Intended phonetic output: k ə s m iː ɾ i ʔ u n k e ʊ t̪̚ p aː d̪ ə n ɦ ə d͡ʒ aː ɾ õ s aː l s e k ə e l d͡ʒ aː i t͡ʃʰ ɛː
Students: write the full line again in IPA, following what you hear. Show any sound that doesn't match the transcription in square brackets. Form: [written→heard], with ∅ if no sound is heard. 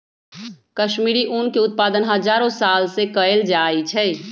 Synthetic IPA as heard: k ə [s→ʃ] m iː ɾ i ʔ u n k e ʊ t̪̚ p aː d̪ ə n ɦ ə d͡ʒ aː ɾ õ s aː l s e k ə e l d͡ʒ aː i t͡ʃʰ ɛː